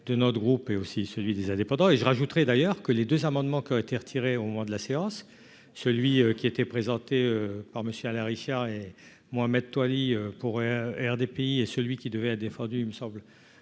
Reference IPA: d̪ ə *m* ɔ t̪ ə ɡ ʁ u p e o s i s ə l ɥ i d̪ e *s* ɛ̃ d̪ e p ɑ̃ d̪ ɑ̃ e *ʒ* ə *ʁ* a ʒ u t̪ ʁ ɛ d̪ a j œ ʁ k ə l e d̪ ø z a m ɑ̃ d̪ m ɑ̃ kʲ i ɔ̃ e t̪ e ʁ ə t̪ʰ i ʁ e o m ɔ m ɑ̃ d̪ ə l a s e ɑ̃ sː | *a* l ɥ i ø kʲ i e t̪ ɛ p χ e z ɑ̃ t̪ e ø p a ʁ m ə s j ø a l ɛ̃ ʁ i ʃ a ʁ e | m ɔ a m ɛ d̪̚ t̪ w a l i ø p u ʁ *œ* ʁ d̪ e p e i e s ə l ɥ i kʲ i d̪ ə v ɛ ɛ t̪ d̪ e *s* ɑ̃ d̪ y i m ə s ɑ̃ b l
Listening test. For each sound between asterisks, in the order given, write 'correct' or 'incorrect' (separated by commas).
incorrect, incorrect, correct, correct, incorrect, incorrect, incorrect